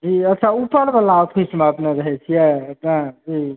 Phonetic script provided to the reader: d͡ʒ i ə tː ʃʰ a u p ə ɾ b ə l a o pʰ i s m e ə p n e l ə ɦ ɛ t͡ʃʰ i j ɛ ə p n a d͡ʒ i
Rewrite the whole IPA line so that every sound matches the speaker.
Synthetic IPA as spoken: d͡ʒ i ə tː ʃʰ a u p ə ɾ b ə l a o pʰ i s m e ə p n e ɾ ə ɦ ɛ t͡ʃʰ i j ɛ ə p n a d͡ʒ i

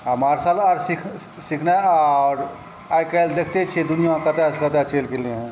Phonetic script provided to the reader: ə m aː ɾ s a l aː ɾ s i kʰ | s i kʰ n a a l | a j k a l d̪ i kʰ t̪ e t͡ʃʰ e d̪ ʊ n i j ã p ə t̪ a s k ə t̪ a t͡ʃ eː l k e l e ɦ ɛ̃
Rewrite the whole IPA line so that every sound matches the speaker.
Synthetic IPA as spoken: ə m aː ɾ s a l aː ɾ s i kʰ | s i kʰ n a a ɾ | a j k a l d̪ e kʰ t̪ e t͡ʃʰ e d̪ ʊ n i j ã k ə t̪ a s k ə t̪ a t͡ʃ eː l k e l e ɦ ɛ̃

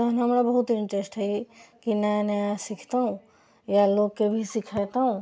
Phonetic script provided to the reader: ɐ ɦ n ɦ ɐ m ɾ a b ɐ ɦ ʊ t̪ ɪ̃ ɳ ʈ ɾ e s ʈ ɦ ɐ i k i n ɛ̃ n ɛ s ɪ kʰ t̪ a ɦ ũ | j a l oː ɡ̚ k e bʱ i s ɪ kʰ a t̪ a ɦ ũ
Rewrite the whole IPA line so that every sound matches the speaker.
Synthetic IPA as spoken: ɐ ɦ n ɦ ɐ m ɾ a b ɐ ɦ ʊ t̪ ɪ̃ ɳ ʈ ɾ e s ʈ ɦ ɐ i k i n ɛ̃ n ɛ s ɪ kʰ t̪ a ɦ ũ | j a l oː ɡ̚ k e bʱ i s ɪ kʰ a t̪ a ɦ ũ

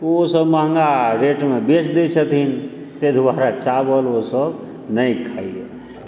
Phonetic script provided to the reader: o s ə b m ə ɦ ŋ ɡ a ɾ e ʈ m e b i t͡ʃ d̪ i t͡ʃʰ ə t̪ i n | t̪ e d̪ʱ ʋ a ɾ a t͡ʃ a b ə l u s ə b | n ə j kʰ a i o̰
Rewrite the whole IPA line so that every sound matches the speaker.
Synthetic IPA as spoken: o s ə b m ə ɦ ŋ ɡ a ɾ e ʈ m e b e t͡ʃ d̪ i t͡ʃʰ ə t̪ i n | t̪ e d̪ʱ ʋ a ɾ a t͡ʃ a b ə l o s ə b | n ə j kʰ a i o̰

